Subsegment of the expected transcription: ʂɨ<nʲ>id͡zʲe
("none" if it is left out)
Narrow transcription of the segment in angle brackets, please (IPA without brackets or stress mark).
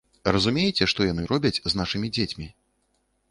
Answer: mʲ